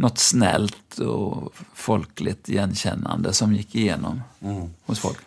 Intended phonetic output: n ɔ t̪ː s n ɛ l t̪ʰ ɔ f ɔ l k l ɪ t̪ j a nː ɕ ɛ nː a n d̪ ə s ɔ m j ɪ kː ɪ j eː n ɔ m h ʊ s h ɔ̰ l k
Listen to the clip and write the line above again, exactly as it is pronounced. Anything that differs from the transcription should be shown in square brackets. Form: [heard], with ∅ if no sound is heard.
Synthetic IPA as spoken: n ɔ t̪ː s n ɛ l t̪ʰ ɔ f ɔ l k l ɪ t̪ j [ɛ] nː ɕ ɛ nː a n d̪ ə s ɔ m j ɪ kː ɪ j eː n ɔ m h ʊ s [f] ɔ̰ l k